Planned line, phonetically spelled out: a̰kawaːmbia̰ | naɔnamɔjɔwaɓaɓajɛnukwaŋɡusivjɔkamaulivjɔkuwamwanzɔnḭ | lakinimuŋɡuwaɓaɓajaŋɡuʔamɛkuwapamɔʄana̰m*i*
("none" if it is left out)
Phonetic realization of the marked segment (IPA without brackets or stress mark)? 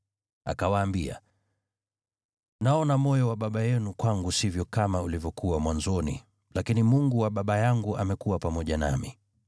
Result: i